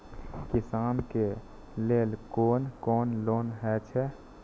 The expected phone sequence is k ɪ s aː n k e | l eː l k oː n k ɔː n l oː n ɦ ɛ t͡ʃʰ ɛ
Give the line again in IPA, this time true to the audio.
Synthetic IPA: k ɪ s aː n k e | l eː l k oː n k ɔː n l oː n ɦ ɛ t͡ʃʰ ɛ